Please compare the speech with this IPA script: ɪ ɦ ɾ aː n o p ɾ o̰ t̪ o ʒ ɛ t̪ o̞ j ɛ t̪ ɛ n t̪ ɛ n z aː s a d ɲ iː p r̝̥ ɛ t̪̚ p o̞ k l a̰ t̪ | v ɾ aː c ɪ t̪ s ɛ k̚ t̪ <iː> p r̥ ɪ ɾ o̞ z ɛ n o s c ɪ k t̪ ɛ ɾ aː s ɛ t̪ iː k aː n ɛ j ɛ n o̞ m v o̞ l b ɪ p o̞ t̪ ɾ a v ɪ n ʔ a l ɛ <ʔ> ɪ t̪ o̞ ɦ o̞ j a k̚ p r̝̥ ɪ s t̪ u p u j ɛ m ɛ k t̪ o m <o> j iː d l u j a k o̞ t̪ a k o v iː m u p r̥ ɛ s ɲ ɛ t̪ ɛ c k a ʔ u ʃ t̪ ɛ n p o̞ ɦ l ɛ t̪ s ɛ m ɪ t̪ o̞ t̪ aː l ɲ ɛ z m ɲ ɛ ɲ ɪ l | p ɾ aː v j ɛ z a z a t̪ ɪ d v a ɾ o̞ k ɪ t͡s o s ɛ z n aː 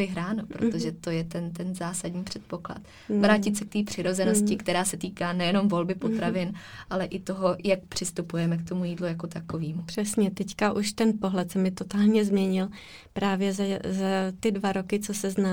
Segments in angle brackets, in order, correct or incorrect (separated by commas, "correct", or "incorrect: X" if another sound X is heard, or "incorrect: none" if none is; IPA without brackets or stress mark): correct, correct, incorrect: u